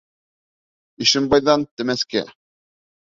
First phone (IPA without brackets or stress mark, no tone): i